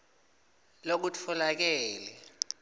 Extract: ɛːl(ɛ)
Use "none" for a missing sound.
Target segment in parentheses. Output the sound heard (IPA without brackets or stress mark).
ɛ